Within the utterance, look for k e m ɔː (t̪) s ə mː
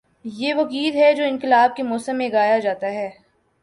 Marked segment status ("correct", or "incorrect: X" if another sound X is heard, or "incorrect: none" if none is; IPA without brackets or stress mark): incorrect: none